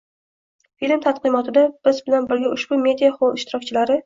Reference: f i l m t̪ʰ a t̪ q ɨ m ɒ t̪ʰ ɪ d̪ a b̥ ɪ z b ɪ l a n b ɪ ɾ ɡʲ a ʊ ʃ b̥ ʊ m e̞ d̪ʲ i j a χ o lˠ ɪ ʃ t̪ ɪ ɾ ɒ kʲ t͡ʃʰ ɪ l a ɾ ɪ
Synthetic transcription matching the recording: f i l m t̪ʰ a t̪ q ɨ m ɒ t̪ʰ ɪ d̪ a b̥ ɪ z b ɪ l a n b ɪ ɾ ɡʲ a ʊ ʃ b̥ ʊ m e̞ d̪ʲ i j a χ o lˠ ɪ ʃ t̪ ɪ ɾ ɒ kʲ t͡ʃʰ ɪ l a ɾ ɪ

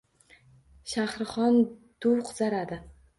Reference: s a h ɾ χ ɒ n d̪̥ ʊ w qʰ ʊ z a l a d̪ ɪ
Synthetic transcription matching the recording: ʃ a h ɾ χ ɒ n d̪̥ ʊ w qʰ ʊ z a ɾ a d̪ ɪ

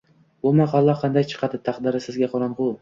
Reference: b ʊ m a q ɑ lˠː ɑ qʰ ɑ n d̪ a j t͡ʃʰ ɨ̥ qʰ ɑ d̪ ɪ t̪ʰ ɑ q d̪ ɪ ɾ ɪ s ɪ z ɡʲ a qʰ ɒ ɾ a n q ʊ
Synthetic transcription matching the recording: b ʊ m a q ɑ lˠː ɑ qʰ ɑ n d̪ a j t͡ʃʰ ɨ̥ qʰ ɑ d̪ ɪ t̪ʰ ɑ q d̪ ɪ ɾ ɪ s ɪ z ɡʲ a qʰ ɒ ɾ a n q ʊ

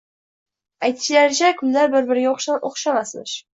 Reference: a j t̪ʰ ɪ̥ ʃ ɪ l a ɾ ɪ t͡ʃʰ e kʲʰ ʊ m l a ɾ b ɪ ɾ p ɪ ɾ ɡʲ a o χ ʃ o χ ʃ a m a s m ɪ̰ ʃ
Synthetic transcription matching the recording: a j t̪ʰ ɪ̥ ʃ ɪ l a ɾ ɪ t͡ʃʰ a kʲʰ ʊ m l a ɾ b ɪ ɾ b ɪ ɾ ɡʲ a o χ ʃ o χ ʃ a m a s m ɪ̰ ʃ

